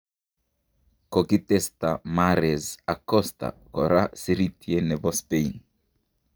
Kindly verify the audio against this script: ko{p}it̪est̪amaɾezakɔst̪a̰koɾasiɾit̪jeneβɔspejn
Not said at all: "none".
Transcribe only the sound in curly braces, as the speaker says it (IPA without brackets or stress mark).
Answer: k